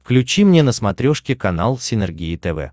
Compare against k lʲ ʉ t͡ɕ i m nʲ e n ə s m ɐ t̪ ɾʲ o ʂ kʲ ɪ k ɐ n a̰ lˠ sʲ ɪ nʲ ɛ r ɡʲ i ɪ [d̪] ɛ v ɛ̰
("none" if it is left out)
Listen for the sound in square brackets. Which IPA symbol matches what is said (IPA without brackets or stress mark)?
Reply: t̪